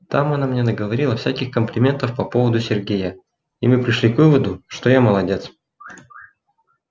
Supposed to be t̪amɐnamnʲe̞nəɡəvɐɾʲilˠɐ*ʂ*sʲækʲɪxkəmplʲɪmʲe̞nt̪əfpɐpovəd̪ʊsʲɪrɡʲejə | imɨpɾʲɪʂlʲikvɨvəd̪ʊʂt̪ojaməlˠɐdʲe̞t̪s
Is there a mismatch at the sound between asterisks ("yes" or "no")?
yes